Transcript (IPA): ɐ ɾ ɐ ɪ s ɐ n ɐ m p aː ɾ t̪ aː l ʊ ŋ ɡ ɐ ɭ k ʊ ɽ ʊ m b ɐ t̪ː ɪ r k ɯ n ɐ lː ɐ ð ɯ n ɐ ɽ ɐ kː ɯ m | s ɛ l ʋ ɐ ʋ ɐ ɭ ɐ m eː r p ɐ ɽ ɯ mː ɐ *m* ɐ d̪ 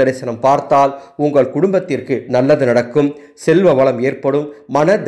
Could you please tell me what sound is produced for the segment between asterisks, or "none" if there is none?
n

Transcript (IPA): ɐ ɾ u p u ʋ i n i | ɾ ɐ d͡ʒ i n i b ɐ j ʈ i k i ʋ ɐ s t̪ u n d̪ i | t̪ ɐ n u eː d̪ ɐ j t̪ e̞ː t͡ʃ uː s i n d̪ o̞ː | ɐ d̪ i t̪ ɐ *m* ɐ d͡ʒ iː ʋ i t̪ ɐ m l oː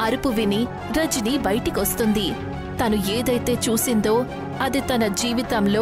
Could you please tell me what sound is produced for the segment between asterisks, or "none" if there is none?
n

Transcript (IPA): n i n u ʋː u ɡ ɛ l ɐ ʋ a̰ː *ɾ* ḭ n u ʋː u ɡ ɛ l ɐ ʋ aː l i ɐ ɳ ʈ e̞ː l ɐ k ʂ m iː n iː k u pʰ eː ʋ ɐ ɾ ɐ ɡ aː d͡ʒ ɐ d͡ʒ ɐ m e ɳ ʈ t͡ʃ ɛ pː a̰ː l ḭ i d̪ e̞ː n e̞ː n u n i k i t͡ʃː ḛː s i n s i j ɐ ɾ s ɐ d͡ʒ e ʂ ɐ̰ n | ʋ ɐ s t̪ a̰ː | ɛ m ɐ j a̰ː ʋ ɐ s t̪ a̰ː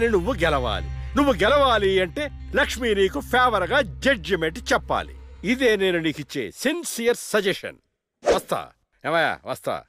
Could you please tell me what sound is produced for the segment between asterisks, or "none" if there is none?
l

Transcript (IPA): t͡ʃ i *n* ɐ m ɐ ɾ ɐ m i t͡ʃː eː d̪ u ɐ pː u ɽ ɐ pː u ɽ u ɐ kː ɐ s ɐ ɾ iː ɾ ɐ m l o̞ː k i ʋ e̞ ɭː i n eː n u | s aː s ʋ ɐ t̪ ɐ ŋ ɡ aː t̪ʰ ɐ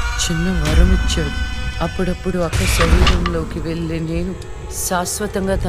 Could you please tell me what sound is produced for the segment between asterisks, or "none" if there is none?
nː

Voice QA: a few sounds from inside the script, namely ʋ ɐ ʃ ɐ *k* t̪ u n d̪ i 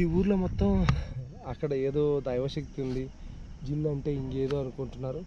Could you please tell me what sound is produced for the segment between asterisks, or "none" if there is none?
k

